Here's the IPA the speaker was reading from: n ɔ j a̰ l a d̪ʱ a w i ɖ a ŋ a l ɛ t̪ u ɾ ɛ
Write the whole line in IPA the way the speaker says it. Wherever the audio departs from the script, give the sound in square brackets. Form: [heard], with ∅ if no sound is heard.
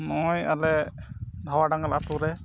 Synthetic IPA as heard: n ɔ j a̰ l [ɛ] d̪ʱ a w [a] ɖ a ŋ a l [a] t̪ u ɾ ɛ